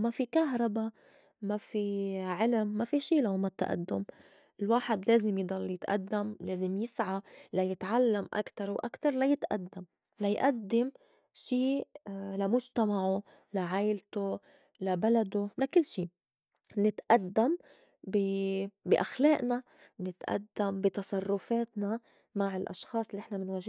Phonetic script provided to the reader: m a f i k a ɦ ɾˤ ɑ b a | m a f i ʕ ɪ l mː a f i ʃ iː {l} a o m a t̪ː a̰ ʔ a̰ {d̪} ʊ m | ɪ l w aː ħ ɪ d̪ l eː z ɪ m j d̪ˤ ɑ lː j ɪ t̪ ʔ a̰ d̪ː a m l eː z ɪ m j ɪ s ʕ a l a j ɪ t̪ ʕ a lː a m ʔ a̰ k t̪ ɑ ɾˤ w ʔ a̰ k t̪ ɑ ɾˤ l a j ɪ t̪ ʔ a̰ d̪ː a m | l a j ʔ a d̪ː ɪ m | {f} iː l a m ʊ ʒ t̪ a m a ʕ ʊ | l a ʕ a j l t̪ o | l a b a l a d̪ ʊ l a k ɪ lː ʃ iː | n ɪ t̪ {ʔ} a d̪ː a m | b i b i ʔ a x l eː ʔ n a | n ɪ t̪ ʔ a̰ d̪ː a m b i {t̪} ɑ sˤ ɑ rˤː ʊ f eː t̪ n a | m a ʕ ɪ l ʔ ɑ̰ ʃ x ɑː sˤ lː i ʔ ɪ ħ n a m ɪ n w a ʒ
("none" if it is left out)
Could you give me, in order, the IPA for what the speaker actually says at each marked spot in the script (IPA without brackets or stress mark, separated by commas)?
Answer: l, d̪ː, ʃ, ʔ, t̪